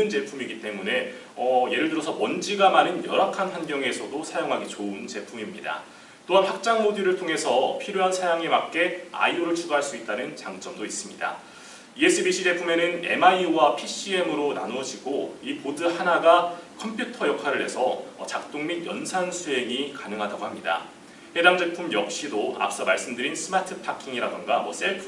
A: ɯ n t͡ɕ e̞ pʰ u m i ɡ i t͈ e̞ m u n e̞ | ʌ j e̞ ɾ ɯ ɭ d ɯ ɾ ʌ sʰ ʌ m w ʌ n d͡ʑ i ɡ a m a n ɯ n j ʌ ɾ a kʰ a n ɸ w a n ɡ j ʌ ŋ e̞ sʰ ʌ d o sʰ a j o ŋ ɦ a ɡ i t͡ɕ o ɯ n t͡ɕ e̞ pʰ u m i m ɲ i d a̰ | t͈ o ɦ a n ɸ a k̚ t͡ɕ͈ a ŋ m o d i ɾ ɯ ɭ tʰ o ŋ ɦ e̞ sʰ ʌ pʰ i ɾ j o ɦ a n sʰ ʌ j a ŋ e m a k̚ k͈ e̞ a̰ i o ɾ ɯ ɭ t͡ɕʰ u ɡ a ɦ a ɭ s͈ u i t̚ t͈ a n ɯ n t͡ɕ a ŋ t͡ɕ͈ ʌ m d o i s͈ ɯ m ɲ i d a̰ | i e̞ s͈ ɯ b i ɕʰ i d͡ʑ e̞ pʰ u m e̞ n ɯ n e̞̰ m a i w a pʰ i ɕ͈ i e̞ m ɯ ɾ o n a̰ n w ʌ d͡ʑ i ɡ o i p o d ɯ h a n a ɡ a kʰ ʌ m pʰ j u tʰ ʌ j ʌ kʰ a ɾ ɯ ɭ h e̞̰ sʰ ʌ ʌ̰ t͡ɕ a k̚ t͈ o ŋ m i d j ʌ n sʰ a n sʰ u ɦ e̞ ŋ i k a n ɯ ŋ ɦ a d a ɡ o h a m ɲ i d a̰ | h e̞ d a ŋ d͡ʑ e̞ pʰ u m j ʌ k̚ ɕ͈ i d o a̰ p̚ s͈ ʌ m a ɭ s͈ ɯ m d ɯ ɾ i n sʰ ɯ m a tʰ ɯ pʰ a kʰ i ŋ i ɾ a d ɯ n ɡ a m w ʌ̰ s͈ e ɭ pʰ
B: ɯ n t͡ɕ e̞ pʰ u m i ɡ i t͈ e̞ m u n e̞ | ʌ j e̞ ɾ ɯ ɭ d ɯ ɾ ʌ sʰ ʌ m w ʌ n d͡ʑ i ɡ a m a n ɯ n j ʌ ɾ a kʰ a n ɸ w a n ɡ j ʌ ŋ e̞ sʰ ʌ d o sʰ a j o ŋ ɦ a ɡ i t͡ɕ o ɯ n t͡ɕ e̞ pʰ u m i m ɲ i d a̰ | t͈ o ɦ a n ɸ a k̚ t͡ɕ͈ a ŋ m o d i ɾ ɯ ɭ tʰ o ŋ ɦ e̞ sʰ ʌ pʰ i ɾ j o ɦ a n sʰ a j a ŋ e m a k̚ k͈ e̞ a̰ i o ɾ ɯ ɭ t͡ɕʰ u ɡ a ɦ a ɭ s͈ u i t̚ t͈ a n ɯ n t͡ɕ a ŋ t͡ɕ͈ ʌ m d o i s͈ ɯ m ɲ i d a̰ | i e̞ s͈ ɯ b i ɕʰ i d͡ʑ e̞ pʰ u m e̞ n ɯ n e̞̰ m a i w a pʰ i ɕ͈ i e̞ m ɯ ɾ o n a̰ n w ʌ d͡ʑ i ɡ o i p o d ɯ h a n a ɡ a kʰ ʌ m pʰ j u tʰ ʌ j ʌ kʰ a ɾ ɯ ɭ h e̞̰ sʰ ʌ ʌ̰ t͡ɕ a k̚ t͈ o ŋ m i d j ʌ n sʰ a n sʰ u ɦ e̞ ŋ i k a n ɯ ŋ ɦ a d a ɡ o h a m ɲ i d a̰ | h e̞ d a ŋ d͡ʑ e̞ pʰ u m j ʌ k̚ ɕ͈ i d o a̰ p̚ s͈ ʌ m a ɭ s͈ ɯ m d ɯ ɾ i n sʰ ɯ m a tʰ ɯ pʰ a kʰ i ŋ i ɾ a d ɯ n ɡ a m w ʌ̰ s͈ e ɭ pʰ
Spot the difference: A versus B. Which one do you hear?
B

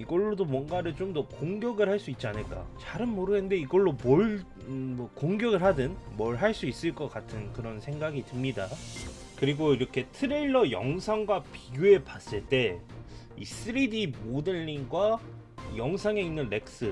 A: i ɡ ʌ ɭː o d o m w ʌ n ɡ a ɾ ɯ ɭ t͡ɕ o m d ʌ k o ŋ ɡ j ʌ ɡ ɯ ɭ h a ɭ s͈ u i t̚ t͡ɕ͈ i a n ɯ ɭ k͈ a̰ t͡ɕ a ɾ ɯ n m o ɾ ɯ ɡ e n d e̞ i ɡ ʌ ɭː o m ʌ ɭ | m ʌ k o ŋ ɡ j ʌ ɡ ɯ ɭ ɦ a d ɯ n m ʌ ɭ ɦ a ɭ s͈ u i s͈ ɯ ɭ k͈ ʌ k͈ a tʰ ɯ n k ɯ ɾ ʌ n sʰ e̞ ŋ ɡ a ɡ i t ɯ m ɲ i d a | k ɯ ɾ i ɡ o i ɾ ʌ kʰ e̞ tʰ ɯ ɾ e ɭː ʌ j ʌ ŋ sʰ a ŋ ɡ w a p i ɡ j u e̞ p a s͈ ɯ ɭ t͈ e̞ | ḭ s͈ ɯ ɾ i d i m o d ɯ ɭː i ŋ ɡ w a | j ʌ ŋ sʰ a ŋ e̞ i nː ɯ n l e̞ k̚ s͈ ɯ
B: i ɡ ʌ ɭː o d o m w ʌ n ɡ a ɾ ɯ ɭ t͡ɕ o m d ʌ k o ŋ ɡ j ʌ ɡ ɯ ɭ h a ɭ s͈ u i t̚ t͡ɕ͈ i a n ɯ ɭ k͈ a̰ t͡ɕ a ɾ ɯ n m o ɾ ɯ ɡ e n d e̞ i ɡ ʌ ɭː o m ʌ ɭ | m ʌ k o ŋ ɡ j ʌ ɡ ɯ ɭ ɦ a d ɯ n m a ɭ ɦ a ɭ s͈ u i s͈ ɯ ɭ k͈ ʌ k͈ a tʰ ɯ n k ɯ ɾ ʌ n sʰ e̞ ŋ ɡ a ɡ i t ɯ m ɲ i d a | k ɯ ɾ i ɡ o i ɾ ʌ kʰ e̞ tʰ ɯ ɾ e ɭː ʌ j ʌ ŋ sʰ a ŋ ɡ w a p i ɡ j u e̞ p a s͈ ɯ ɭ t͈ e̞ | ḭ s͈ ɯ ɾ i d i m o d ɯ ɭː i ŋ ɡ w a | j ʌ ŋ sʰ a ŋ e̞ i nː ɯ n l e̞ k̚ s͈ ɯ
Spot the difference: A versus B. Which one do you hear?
A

